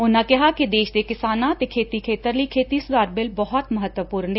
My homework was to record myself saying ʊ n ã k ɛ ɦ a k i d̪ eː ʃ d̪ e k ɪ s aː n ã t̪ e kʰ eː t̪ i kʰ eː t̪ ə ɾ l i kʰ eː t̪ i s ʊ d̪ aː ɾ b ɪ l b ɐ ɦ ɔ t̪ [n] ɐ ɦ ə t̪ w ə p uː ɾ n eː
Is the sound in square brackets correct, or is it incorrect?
incorrect